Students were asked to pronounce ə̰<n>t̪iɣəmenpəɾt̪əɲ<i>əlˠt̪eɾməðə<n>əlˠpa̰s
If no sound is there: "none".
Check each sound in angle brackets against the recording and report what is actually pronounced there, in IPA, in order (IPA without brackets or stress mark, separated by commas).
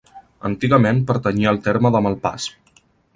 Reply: n, i, m